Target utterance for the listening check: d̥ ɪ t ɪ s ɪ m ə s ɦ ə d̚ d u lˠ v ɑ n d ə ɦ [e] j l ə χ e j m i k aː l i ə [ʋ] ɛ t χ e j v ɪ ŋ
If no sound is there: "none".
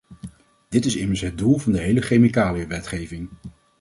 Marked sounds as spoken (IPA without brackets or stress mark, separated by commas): e, ʋ